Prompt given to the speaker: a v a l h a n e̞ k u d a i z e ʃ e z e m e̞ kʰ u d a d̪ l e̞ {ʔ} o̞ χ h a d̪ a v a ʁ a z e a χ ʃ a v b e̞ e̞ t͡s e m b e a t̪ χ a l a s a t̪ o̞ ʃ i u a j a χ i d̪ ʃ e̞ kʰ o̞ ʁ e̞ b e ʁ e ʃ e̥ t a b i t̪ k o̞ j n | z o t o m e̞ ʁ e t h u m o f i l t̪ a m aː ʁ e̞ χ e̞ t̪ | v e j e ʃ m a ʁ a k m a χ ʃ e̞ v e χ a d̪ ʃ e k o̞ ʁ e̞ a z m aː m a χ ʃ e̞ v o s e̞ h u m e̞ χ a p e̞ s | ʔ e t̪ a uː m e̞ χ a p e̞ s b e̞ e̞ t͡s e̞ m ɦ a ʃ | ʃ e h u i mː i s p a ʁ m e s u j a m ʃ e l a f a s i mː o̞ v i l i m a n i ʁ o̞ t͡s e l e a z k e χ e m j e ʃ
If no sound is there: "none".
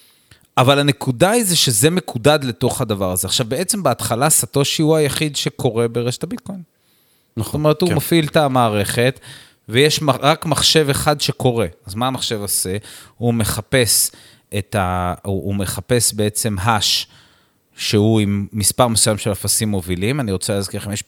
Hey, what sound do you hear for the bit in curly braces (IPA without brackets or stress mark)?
t